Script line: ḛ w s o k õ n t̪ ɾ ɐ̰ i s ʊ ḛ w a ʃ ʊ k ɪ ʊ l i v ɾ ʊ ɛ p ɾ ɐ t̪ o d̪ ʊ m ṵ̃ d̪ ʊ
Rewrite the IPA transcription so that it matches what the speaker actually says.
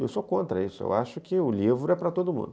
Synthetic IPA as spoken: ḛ w s o k õ n t̪ ɾ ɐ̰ i s ʊ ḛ w a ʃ ʊ k ɪ ʊ l i v ɾ ʊ ɛ p ɾ ɐ t̪ o d̪ ʊ m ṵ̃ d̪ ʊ